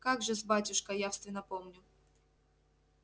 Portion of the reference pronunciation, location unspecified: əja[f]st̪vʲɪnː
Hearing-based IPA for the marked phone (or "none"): f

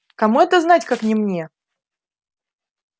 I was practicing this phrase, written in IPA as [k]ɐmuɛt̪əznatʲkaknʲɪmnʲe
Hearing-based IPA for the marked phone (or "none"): k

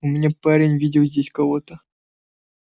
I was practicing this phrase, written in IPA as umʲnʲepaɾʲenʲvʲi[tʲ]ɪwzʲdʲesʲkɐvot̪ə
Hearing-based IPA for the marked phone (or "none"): dʲ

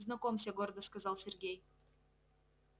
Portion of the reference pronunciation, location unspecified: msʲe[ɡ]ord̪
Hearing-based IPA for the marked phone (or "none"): ɡ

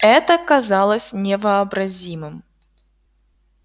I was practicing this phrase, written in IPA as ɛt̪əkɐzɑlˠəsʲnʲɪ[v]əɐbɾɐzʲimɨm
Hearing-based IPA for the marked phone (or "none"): v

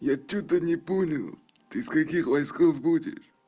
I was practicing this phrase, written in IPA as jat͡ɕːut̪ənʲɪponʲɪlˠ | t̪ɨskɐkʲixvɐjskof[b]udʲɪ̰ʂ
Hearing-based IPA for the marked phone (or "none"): b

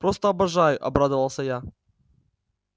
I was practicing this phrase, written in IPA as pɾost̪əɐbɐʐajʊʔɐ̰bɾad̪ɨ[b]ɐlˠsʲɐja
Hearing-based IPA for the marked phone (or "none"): v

